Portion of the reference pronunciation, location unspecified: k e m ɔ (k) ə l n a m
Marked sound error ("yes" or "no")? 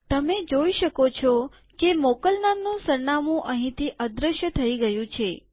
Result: no